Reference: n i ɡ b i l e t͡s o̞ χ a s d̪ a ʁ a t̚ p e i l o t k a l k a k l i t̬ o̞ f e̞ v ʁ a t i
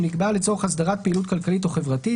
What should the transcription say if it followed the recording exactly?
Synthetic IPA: n i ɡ b a l e t͡s o̞ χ a s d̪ a ʁ a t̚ p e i l u t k a l k a l i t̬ o̞ χ e̞ v ʁ a t i